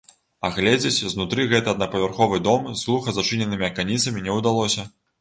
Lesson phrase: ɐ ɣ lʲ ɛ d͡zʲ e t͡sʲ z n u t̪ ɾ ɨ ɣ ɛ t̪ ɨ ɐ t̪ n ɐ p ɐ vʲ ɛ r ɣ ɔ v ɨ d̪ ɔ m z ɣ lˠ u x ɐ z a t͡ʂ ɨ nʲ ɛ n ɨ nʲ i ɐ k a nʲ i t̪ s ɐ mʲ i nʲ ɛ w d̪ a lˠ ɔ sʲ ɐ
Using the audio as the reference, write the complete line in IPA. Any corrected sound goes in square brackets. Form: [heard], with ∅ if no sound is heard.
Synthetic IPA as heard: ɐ ɣ lʲ ɛ d͡zʲ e t͡sʲ z n u t̪ ɾ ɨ ɣ ɛ t̪ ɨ ɐ [d̪] n ɐ p ɐ vʲ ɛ r [x] ɔ v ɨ d̪ ɔ m z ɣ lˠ u x ɐ z a t͡ʂ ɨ nʲ ɛ n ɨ [mʲ] i ɐ k a nʲ i t̪ s ɐ mʲ i nʲ ɛ w d̪ a lˠ ɔ sʲ ɐ